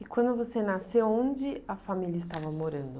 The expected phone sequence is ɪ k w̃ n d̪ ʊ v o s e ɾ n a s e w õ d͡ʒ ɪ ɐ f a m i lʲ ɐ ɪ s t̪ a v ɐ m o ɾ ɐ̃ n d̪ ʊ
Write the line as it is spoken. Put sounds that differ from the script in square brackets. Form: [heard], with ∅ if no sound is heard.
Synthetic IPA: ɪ k w̃ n d̪ ʊ v o s e [∅] n a s e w õ d͡ʒ ɪ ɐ f a m i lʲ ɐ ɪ s t̪ a v ɐ m o ɾ ɐ̃ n d̪ ʊ